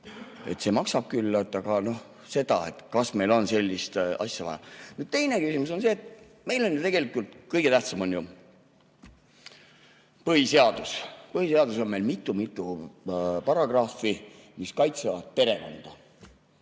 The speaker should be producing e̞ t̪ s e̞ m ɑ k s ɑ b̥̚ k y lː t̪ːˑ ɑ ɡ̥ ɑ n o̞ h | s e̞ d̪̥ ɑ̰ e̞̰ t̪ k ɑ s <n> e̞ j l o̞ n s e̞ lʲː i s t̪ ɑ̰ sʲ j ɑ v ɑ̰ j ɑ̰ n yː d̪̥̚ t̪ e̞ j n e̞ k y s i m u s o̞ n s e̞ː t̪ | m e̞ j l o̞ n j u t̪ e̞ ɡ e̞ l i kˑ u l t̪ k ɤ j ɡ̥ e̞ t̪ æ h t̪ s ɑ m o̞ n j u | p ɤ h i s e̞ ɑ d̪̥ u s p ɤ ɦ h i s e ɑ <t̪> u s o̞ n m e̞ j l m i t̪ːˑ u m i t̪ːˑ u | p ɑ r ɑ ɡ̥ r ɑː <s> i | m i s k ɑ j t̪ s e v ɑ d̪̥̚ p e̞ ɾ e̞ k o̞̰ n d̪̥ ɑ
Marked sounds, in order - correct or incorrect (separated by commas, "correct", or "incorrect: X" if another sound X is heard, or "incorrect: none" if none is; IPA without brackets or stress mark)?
incorrect: m, incorrect: d̪, incorrect: f